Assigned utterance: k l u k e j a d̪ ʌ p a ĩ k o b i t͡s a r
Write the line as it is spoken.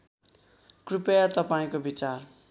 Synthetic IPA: k r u p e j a t̪ ʌ p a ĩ k o b i t͡s a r